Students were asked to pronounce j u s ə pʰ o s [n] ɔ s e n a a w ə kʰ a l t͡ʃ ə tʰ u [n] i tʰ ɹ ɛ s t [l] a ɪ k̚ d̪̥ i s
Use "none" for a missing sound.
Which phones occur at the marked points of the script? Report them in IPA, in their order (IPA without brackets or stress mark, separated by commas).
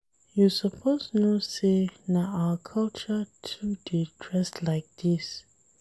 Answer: n, d, l